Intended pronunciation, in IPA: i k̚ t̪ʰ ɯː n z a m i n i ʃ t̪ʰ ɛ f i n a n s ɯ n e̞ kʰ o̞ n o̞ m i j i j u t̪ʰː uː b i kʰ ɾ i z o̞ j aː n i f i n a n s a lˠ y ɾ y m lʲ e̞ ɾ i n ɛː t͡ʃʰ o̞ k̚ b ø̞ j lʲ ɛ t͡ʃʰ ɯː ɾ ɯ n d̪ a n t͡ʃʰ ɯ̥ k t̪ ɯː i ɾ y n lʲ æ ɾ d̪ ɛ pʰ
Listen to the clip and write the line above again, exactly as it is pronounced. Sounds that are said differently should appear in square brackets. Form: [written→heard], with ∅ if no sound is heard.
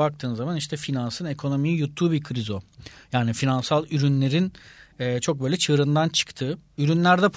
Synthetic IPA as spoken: [i→a] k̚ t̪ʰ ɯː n z a m [i→a] n i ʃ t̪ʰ ɛ f i n a n s ɯ n e̞ kʰ o̞ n o̞ m i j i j u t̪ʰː uː b i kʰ ɾ i z o̞ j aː n i f i n a n s a lˠ y ɾ y [m→n] lʲ e̞ ɾ i n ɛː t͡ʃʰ o̞ k̚ b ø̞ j lʲ ɛ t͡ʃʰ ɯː ɾ ɯ n d̪ a n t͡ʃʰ ɯ̥ k [t̪→t̪ʰ] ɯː [i→y] ɾ y n lʲ æ ɾ d̪ ɛ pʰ